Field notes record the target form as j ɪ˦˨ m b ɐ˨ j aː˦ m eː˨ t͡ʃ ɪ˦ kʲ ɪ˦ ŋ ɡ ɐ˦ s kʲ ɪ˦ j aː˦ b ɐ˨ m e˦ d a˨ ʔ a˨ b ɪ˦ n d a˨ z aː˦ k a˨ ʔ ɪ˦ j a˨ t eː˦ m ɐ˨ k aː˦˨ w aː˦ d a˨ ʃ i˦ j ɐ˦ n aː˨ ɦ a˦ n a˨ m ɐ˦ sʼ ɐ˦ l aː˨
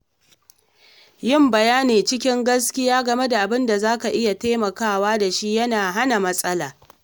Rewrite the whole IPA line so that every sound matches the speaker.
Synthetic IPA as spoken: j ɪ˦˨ m b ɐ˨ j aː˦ n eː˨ t͡ʃ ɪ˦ kʲ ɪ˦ ŋ ɡ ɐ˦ s kʲ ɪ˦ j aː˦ ɡ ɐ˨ m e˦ d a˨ ʔ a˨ b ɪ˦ n d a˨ z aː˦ k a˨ ʔ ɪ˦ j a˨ t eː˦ m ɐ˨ k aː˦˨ w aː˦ d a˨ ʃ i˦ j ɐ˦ n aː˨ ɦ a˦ n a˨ m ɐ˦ sʼ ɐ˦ l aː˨